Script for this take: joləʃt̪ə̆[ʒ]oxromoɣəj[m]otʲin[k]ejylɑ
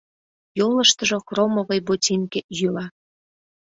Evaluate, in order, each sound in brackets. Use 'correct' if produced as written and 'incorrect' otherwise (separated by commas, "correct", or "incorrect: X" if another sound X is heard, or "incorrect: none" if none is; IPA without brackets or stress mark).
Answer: correct, incorrect: b, correct